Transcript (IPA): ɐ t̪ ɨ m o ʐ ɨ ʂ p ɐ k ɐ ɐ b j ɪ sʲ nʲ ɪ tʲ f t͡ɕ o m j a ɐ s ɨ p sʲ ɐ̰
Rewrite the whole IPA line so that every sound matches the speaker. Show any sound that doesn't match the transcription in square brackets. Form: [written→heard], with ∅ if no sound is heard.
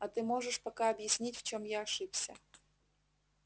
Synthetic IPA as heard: ɐ t̪ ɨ m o ʐ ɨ ʂ p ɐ k [ɐ→a] ɐ b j ɪ sʲ nʲ [ɪ→i] tʲ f t͡ɕ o m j a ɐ [s→ʂ] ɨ p sʲ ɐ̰